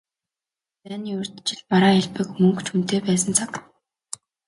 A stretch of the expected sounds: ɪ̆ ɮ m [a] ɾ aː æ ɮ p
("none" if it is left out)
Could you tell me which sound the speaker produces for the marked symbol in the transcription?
a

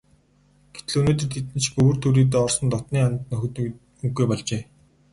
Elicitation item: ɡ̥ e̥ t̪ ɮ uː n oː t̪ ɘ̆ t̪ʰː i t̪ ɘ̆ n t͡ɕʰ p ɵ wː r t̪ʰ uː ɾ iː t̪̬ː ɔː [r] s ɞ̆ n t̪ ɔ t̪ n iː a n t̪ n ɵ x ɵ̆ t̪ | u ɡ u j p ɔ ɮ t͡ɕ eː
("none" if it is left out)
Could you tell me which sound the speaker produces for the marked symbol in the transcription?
r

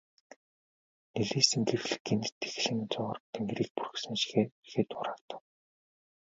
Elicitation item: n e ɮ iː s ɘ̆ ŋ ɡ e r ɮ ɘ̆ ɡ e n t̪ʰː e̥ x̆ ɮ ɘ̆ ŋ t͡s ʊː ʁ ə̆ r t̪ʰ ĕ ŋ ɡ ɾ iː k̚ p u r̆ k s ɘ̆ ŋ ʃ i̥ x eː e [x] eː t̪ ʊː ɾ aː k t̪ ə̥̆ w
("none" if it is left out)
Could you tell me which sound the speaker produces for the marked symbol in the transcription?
x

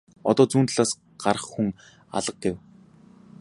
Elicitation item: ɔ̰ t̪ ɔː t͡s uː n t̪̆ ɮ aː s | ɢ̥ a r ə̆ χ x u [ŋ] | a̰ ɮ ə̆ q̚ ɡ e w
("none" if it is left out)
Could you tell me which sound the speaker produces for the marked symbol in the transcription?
ŋ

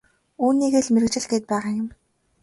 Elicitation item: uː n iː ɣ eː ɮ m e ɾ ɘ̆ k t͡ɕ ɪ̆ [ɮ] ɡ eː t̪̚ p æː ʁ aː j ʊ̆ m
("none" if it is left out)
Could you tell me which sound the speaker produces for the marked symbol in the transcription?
ɮ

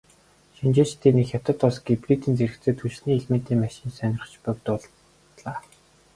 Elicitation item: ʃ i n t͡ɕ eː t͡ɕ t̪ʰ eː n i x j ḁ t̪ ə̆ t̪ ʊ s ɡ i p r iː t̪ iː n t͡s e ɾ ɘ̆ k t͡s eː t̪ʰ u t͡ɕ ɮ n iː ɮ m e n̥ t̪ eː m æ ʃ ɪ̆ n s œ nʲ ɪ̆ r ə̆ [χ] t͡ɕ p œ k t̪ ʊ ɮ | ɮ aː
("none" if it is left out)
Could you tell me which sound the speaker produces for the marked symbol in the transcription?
χ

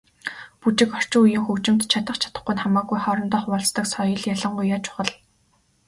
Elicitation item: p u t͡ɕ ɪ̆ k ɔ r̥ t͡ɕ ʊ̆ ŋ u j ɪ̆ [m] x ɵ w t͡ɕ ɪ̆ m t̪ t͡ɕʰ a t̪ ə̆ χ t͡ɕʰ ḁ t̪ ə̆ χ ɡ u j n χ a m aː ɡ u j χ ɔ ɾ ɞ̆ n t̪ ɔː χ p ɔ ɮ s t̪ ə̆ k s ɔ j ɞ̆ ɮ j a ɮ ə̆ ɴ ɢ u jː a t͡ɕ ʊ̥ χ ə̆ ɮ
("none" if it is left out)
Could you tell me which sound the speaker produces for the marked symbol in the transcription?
ŋ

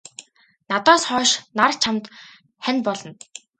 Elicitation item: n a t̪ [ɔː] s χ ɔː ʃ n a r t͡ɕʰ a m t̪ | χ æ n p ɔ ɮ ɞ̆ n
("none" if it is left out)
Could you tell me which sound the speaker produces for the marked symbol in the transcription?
ɔː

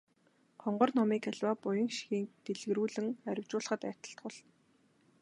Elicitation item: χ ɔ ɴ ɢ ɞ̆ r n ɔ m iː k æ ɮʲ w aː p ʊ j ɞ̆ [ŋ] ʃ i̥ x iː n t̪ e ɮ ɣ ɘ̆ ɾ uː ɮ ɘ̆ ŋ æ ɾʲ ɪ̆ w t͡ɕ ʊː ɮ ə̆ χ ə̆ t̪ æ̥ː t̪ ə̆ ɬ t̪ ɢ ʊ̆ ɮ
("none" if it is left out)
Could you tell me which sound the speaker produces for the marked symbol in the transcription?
ŋ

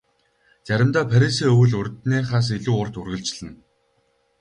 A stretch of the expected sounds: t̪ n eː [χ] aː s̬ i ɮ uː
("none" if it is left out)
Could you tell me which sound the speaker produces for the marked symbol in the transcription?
χ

